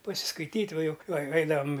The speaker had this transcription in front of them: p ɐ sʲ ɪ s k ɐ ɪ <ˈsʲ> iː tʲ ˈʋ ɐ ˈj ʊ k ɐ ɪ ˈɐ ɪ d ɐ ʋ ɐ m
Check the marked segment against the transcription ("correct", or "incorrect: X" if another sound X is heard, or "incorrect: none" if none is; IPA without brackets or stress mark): incorrect: tʲ